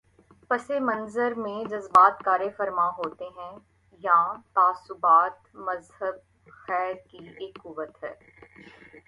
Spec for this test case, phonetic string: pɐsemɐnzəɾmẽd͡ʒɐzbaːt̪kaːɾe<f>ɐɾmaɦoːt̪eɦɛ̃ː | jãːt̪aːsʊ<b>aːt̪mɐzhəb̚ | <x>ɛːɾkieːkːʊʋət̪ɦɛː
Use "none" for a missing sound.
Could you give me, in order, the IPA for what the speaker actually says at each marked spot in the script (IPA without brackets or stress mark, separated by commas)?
f, b, x